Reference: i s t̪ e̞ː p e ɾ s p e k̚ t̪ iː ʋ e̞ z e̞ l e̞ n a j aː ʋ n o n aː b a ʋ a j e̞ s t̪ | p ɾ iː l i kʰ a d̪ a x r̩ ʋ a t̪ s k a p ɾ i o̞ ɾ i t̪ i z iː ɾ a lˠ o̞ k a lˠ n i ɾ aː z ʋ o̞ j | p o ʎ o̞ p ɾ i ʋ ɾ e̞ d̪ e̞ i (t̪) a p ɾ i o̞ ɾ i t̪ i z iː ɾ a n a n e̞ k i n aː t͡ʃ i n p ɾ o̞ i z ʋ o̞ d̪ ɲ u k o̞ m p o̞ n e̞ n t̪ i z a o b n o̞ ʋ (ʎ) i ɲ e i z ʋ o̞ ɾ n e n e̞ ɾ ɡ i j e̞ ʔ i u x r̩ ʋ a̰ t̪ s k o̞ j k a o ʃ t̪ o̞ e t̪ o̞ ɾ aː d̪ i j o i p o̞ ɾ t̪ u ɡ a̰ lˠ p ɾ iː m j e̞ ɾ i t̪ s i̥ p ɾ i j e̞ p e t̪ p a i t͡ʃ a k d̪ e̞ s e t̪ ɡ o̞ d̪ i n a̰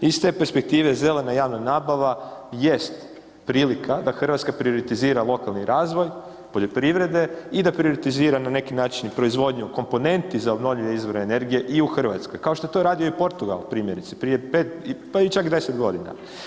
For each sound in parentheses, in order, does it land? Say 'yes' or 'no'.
no, yes

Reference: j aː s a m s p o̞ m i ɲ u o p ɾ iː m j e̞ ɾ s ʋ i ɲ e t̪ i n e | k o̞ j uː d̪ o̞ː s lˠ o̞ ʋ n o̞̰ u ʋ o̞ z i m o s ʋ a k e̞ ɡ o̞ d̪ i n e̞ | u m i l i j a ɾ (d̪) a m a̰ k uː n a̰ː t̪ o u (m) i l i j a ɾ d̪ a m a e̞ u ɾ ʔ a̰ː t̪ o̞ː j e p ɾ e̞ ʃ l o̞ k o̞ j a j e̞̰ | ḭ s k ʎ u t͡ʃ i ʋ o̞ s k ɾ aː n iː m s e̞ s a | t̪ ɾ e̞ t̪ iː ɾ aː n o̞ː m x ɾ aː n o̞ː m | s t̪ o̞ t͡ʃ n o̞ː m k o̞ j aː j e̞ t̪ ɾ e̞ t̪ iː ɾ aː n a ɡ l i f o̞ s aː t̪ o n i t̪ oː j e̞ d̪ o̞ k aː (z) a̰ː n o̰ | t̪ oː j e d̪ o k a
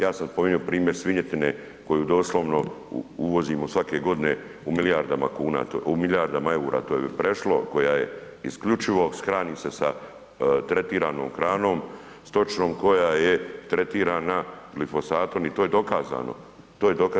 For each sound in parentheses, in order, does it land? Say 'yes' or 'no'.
yes, yes, yes

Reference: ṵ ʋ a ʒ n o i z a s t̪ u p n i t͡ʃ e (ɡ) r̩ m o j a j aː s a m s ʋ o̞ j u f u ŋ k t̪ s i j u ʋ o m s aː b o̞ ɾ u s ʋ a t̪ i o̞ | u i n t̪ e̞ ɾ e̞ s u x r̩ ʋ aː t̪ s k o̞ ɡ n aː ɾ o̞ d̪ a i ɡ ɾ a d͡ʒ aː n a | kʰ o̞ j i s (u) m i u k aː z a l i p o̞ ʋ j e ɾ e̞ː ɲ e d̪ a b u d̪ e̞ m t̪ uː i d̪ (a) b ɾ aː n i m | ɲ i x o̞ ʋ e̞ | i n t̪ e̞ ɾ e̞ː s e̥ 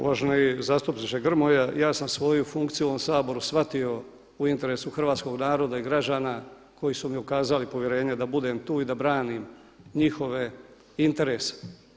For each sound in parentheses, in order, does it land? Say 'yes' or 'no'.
yes, yes, yes

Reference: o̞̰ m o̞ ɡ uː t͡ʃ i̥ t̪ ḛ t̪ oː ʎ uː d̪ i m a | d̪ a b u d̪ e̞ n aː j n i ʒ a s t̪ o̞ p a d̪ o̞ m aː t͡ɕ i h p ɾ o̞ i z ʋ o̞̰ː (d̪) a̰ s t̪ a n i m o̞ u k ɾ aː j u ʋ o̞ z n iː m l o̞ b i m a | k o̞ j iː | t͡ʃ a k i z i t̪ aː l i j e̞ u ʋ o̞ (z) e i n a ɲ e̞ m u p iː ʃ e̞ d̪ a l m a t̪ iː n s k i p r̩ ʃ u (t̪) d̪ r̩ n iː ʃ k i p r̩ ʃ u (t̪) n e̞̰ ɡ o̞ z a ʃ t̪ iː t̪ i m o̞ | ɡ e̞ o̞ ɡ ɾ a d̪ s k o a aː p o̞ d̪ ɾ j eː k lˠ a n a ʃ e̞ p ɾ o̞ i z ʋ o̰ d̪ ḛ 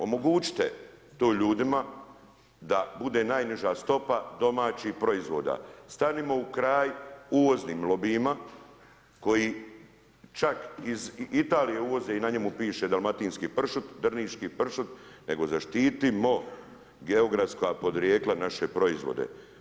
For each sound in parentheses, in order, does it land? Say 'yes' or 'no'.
yes, yes, yes, yes

